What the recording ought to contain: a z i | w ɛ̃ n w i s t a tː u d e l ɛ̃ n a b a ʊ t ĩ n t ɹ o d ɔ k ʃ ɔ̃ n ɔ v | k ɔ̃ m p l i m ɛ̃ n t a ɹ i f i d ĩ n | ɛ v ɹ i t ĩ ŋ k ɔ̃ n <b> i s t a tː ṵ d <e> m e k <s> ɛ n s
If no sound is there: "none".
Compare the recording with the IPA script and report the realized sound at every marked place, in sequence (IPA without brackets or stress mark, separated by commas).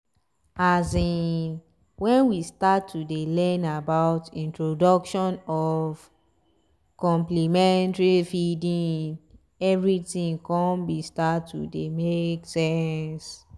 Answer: b, e, s